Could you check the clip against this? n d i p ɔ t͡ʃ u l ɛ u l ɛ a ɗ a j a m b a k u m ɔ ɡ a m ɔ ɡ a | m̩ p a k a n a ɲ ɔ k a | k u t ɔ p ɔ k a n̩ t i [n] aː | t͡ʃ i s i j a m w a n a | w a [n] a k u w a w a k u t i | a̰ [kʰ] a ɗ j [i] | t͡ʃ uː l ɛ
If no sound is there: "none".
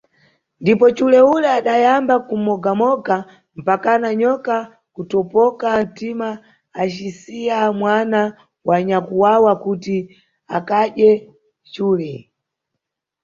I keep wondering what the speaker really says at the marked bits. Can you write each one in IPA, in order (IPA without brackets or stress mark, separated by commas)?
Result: m, ɲ, k, ɛ